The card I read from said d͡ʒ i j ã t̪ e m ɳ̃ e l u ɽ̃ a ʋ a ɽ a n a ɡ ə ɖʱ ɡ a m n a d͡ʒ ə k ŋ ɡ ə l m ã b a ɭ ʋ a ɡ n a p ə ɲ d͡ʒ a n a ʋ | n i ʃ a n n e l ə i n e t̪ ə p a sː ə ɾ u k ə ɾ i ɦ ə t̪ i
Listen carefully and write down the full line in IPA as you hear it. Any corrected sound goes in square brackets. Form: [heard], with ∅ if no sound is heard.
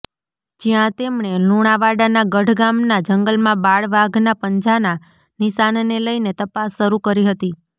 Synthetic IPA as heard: d͡ʒ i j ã t̪ e m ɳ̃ e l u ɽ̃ a ʋ a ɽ a n a ɡ ə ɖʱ ɡ a m n a d͡ʒ ə [∅] ŋ ɡ ə l m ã b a ɭ ʋ a ɡ n a p ə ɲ d͡ʒ a n a [∅] | n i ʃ a n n e l ə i n e t̪ ə p a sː ə ɾ u k ə ɾ i ɦ ə t̪ i

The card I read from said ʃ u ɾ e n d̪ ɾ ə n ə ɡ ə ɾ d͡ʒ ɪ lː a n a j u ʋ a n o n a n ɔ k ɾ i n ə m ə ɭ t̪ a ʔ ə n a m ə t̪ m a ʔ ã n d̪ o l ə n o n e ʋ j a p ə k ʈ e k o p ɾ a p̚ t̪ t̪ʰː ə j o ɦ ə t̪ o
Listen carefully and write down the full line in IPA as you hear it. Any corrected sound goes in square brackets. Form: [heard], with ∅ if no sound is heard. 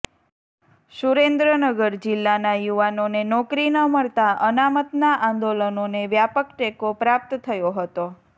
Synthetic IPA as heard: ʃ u ɾ e n d̪ ɾ ə n ə ɡ ə ɾ d͡ʒ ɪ lː a n a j u ʋ a n o n [e] n ɔ k ɾ i n ə m ə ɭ t̪ a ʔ ə n a m ə t̪ [n] a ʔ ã n d̪ o l ə n o n e ʋ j a p ə k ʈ e k o p ɾ a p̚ t̪ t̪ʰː ə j o ɦ ə t̪ o

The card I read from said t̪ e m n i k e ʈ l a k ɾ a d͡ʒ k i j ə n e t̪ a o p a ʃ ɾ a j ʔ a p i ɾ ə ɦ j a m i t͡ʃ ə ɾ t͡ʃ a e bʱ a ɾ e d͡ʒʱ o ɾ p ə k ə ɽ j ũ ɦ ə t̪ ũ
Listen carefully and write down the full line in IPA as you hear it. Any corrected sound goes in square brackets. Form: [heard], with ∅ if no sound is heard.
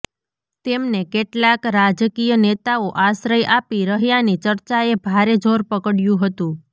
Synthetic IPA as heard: t̪ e m n [e] k e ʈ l a k ɾ a d͡ʒ k i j ə n e t̪ a o [ʔ] a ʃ ɾ [ə] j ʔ a p i ɾ ə ɦ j a [n] i t͡ʃ ə ɾ t͡ʃ a e bʱ a ɾ e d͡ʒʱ o ɾ p ə k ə ɽ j ũ ɦ ə t̪ ũ

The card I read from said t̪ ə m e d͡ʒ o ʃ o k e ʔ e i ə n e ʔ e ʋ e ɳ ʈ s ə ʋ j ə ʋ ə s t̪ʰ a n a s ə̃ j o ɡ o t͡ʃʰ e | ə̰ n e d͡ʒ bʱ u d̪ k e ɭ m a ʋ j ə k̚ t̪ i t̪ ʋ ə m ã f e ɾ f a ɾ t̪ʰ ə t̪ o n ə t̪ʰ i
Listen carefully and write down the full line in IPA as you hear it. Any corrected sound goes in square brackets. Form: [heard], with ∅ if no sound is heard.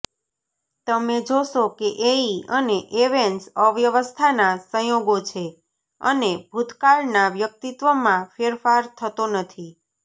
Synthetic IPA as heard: t̪ ə m e d͡ʒ o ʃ o k e ʔ e i ə n e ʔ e ʋ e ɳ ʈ s ə ʋ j ə ʋ ə s t̪ʰ a n a s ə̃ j o ɡ o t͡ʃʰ e | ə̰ n e [∅] bʱ u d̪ k [a] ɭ [n] a ʋ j ə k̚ t̪ i t̪ ʋ ə m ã f e ɾ f a ɾ t̪ʰ ə t̪ o n ə t̪ʰ i

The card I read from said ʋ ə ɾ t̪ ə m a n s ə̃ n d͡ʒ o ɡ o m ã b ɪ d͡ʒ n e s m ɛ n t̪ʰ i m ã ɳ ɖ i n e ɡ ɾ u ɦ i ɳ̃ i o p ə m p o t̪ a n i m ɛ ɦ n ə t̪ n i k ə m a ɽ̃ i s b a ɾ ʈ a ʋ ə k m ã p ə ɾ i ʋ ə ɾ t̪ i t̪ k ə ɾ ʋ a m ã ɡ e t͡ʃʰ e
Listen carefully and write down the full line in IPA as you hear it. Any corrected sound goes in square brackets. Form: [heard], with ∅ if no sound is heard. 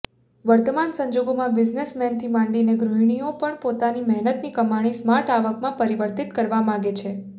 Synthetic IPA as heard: ʋ ə ɾ t̪ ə m a n s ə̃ [ɲ] d͡ʒ o ɡ o m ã b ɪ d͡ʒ n e s m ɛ n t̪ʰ i m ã ɳ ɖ i n e ɡ ɾ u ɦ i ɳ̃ i o p ə [ɳ] p o t̪ a n i m ɛ ɦ n ə t̪ n i k ə m a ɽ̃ i s [m] a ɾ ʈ a ʋ ə k m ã p ə ɾ i ʋ ə ɾ t̪ i t̪ k ə ɾ ʋ a m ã ɡ e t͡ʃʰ e

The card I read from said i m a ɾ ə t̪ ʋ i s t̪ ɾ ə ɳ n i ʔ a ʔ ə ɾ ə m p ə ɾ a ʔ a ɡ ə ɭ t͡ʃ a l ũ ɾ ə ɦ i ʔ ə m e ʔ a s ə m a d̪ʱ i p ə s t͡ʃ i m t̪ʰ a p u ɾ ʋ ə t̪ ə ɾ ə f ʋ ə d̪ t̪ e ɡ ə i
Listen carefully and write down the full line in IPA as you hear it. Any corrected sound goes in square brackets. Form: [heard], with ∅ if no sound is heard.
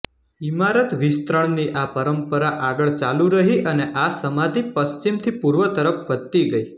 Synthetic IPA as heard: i m a ɾ ə t̪ ʋ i s t̪ ɾ ə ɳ n i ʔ a [p] ə ɾ ə m p ə ɾ a ʔ a ɡ ə ɭ t͡ʃ a l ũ ɾ ə ɦ i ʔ ə [n] e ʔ a s ə m a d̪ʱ i p ə s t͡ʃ i m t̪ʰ [i] p u ɾ ʋ ə t̪ ə ɾ ə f ʋ ə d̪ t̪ [i] ɡ ə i

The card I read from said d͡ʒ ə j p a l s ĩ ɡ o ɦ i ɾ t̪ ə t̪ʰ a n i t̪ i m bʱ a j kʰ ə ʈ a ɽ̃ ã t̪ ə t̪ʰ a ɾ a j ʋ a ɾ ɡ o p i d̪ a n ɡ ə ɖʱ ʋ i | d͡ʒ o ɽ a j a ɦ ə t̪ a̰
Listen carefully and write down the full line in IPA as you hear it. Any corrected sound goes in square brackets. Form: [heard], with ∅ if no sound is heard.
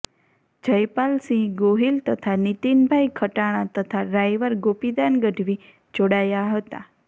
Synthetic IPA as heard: d͡ʒ ə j p a l s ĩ ɡ o ɦ i [l] t̪ ə t̪ʰ a n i t̪ i [n] bʱ a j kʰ ə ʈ a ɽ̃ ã t̪ ə t̪ʰ a ɾ a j ʋ [ə] ɾ ɡ o p i d̪ a n ɡ ə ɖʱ ʋ i | d͡ʒ o ɽ a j a ɦ ə t̪ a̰

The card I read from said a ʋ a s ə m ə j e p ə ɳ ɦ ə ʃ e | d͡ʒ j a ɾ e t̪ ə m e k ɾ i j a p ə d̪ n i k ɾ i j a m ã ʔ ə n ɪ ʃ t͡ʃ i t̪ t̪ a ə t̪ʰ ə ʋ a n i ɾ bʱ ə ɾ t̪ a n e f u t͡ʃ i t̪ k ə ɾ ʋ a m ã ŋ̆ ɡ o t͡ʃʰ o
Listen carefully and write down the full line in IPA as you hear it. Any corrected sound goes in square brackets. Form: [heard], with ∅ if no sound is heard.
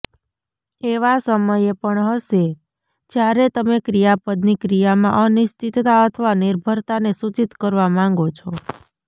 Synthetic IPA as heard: [e] ʋ a s ə m ə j e p ə ɳ ɦ ə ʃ e | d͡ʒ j a ɾ e t̪ ə m e k ɾ i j a p ə d̪ n i k ɾ i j a m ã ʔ ə n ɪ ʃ t͡ʃ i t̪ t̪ a ə t̪ʰ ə ʋ a n i ɾ bʱ ə ɾ t̪ a n e [s] u t͡ʃ i t̪ k ə ɾ ʋ a m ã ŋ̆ ɡ o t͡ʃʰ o

